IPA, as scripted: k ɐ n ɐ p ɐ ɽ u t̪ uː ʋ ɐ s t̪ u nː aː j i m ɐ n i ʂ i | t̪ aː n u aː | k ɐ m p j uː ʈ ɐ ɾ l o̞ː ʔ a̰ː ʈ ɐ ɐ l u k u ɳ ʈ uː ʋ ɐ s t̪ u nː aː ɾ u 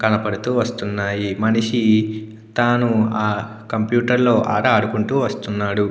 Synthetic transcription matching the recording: k ɐ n ɐ p ɐ ɽ u t̪ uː ʋ ɐ s t̪ u nː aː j i m ɐ n i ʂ i | t̪ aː n u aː | k ɐ m p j uː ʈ ɐ ɾ l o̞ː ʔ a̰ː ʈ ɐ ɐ ɽ u k u ɳ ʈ uː ʋ ɐ s t̪ u nː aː ɽ u